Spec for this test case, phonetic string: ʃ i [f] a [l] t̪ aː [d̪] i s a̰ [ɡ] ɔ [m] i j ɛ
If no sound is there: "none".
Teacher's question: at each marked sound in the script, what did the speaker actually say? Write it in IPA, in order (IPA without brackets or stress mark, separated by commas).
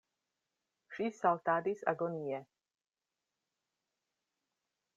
s, l, d̪, ɡ, n